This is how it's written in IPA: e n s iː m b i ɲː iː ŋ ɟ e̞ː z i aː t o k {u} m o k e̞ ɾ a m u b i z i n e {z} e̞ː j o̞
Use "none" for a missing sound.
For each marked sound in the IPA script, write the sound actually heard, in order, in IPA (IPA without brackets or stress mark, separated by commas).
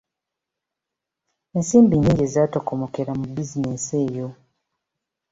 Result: o, s